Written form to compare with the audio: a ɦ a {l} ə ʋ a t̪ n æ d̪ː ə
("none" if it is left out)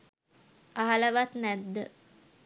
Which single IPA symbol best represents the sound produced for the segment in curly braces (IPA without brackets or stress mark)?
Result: l